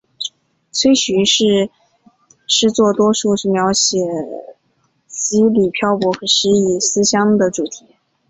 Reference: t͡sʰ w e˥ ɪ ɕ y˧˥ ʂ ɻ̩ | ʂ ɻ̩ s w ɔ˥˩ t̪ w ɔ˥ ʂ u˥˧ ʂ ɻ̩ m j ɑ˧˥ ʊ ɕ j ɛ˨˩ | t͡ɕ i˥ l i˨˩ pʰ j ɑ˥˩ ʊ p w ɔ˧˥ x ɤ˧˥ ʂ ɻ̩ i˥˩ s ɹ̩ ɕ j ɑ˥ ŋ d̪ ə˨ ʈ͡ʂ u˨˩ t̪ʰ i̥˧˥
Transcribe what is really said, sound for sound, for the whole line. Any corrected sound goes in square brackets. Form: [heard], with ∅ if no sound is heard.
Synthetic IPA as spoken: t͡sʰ w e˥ ɪ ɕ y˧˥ ʂ ɻ̩ | ʂ ɻ̩ [t͡s] w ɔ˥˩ t̪ w ɔ˥ ʂ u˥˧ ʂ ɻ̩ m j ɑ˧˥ ʊ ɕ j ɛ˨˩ | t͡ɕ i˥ l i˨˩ pʰ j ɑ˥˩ ʊ p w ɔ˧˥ x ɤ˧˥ ʂ ɻ̩ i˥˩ s ɹ̩ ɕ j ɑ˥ ŋ d̪ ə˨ ʈ͡ʂ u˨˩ t̪ʰ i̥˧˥